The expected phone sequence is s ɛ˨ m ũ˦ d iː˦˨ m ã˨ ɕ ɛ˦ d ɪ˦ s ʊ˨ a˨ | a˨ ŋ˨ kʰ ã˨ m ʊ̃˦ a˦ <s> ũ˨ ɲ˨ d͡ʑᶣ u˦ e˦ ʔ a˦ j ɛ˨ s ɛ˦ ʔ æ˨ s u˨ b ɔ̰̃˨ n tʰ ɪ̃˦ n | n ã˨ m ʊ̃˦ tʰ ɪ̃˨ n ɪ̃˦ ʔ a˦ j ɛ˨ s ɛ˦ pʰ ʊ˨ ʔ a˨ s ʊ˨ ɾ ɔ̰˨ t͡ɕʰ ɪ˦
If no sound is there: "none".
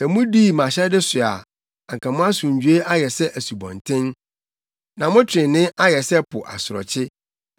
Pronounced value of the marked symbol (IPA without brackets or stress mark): s